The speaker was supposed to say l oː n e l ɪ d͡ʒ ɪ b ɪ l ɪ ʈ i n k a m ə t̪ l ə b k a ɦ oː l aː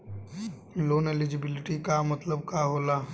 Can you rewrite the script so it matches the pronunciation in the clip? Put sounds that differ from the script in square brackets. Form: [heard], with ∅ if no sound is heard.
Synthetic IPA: l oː n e l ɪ d͡ʒ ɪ b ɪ l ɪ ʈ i [∅] k a m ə t̪ l ə b k a ɦ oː l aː